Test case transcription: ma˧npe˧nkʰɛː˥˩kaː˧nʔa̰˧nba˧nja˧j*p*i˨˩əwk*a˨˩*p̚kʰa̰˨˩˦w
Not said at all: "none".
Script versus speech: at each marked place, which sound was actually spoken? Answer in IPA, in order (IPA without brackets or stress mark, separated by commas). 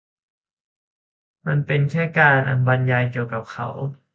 k, a˨˩